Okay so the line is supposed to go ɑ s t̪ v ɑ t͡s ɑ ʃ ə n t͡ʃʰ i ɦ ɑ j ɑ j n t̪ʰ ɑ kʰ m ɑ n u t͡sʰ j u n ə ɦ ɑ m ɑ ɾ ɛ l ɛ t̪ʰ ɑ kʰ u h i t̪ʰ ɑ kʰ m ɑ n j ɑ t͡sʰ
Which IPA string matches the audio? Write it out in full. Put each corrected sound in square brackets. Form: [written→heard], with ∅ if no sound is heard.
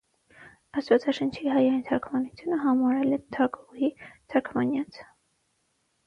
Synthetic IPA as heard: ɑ s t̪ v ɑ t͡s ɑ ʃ ə n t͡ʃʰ i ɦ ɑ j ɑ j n t̪ʰ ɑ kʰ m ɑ n u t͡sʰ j u n ə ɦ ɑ m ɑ ɾ ɛ l ɛ t̪ʰ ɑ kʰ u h i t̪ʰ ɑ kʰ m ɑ n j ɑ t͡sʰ